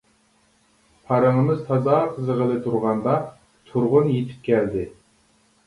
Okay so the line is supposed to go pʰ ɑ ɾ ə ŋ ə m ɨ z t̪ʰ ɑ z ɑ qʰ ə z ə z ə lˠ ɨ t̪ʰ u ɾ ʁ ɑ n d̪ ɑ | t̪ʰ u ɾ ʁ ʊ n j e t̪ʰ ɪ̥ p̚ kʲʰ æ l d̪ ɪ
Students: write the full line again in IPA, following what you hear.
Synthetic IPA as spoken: pʰ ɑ ɾ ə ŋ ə m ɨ z t̪ʰ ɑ z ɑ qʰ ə z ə ʁ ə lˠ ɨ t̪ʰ u ɾ ʁ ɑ n d̪ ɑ | t̪ʰ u ɾ ʁ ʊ n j e t̪ʰ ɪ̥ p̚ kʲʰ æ l d̪ ɪ